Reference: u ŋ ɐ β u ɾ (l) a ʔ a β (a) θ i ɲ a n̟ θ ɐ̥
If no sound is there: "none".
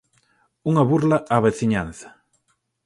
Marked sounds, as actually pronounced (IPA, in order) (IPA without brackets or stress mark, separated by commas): l, e